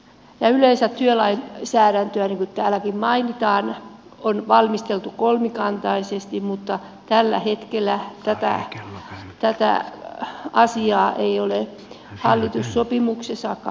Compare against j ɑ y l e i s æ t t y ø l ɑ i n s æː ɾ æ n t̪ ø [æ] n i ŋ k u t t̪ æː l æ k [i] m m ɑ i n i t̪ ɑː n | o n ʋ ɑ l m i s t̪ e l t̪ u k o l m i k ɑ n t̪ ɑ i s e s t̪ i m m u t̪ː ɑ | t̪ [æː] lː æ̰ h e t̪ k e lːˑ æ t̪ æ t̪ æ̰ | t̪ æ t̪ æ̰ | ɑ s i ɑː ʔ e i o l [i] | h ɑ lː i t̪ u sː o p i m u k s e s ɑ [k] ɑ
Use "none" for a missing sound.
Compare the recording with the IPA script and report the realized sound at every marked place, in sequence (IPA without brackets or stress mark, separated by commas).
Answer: æ, i, æ, e, k